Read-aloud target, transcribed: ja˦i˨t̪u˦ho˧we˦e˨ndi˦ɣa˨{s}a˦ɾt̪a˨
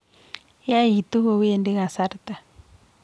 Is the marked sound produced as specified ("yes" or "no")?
yes